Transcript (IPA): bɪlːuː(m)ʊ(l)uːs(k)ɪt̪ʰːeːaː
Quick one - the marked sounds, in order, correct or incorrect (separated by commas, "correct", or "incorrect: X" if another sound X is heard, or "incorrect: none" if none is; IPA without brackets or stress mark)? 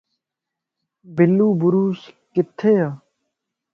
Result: incorrect: b, incorrect: ɾ, correct